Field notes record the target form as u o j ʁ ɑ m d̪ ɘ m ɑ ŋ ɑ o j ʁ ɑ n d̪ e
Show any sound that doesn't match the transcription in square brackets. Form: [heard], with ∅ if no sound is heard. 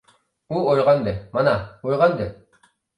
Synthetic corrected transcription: u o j ʁ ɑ [n] d̪ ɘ m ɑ [n] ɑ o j ʁ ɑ n d̪ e